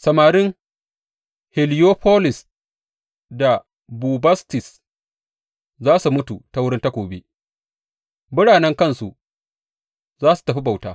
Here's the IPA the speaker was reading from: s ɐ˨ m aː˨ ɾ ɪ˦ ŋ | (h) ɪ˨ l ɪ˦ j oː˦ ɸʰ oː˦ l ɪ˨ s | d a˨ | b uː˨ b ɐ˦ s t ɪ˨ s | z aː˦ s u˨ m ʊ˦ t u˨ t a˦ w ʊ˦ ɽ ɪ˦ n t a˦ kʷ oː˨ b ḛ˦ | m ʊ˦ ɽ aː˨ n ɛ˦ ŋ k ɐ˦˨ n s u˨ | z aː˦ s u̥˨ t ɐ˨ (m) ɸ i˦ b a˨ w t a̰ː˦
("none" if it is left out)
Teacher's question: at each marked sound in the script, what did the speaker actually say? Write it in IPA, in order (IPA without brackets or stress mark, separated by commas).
h, none